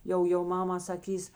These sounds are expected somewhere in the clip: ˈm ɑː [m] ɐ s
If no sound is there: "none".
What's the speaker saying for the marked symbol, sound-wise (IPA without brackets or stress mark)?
m